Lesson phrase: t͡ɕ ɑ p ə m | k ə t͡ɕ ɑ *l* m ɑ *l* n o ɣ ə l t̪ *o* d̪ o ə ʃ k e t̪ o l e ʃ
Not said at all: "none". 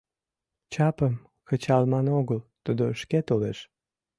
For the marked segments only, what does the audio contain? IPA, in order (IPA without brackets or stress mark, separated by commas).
l, none, u